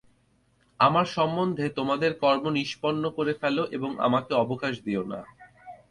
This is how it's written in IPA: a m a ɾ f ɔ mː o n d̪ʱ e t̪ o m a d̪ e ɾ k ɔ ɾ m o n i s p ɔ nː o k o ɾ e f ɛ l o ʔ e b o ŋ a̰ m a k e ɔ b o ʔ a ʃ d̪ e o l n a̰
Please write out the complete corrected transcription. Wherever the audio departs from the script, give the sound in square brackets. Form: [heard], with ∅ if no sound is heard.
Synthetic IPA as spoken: a m a ɾ [ʃ] ɔ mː o n d̪ʱ e t̪ o m a d̪ e ɾ k ɔ ɾ m o n i [ʃ] p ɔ nː o k o ɾ e f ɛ l o ʔ e b o ŋ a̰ m a k e ɔ b o [k] a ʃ d̪ [i] o [∅] n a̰